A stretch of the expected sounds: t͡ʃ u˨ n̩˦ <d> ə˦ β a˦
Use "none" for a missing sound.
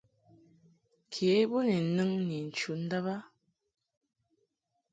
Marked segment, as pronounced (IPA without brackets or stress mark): d